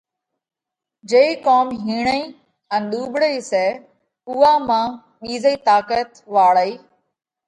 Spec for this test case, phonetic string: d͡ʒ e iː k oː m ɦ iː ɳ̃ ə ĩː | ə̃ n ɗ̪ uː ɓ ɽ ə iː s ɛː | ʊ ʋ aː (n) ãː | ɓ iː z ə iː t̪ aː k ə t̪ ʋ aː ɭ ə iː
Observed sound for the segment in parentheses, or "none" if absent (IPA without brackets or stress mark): m